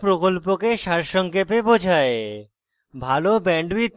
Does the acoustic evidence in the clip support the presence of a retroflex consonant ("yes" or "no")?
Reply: yes